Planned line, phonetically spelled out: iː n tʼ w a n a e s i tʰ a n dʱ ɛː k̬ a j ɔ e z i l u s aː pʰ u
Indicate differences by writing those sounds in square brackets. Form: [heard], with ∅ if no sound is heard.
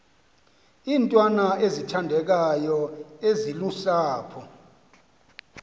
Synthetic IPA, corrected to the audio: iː n tʼ w a n a e [z] i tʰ a n dʱ [ɛ] k̬ a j ɔ e z i l u s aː pʰ [ɔ]